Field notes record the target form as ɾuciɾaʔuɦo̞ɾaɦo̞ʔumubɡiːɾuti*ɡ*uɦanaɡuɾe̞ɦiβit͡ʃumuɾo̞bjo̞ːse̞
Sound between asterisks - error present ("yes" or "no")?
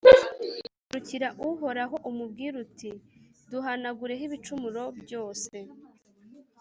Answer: yes